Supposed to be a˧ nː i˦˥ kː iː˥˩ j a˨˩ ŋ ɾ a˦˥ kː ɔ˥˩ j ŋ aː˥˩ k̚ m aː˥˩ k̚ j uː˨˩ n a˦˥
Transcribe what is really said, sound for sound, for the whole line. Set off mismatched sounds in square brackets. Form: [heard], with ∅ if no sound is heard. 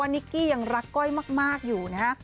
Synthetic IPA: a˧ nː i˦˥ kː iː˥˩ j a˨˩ ŋ ɾ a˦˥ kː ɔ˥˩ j [m] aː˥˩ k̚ m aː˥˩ k̚ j uː˨˩ n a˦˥